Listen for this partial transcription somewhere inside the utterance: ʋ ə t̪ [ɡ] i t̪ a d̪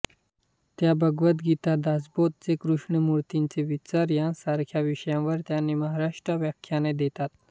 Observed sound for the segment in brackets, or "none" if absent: ɡ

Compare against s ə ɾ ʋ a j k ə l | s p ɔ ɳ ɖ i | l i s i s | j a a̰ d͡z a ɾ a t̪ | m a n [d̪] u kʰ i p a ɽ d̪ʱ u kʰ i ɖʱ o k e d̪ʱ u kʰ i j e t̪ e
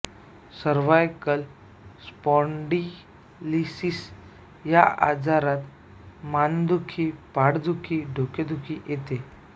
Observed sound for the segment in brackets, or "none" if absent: d̪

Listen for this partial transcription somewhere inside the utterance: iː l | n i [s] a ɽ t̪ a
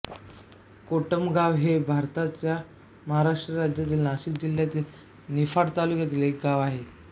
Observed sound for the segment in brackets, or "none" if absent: f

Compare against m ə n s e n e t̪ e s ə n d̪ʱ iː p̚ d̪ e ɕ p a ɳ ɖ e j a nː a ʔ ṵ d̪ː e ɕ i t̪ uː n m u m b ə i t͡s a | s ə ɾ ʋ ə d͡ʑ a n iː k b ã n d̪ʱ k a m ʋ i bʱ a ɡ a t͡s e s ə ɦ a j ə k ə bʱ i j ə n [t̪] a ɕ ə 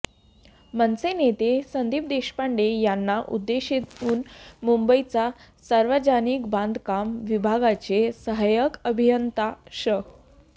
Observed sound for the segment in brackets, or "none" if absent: t̪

